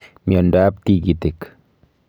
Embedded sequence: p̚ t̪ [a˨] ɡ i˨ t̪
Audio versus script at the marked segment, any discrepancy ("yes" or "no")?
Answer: yes